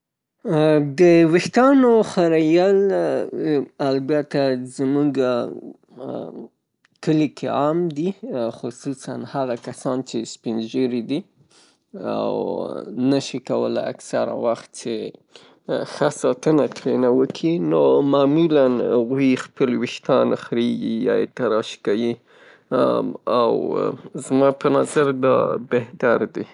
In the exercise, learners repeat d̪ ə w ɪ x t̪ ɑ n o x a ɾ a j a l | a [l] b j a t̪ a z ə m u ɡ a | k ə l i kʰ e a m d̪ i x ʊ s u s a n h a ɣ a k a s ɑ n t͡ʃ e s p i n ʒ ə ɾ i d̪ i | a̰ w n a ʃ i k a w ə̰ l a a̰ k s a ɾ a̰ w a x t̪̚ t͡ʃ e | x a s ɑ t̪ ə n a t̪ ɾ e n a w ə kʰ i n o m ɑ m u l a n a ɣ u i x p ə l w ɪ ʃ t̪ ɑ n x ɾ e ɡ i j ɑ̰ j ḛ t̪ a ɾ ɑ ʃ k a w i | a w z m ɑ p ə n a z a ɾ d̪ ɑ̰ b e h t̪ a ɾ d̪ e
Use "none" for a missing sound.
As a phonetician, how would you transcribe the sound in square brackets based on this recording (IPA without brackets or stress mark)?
l